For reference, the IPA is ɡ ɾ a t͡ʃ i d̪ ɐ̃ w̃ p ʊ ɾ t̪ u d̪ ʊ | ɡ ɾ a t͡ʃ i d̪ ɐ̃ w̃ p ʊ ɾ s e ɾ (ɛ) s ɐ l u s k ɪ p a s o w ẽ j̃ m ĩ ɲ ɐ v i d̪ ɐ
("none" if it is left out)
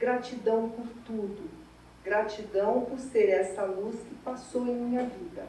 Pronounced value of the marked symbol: ɛ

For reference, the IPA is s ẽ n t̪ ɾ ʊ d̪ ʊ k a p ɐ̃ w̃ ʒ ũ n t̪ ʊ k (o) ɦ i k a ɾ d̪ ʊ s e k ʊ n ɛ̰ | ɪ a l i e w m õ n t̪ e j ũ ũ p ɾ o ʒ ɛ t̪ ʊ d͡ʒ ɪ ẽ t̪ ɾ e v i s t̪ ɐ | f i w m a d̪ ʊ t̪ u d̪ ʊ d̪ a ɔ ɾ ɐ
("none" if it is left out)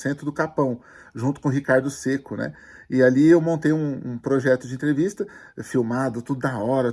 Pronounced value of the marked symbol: õ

